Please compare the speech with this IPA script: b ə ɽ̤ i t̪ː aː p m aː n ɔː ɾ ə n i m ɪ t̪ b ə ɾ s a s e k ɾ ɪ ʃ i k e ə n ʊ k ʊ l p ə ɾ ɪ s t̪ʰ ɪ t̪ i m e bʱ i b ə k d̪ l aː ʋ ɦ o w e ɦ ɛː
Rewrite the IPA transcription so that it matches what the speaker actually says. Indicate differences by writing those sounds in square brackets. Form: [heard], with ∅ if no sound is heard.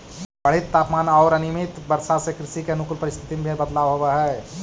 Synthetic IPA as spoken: b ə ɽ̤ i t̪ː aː p m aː n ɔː ɾ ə n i m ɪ t̪ b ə ɾ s a s e k ɾ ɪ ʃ i k e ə n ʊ k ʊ l p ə ɾ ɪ s t̪ʰ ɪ t̪ i m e bʱ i b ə [∅] d̪ l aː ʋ ɦ o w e ɦ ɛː